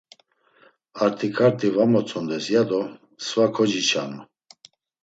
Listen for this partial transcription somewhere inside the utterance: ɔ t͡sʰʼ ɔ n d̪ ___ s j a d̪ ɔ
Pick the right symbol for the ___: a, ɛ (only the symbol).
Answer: ɛ